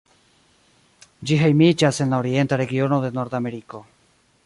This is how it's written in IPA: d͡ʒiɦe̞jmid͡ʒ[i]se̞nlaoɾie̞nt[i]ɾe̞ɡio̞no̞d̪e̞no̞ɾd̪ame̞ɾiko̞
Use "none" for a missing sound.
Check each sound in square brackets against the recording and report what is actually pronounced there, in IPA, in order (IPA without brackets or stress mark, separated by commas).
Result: a, a